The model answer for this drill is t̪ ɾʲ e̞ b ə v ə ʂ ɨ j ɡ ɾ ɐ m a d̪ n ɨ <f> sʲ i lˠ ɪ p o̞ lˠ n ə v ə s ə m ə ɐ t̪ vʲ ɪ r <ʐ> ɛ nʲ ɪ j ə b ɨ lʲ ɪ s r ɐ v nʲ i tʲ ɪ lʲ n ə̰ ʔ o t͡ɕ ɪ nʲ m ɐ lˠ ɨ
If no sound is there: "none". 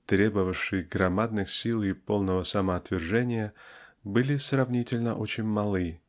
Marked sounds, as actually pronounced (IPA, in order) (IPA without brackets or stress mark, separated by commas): x, ʐ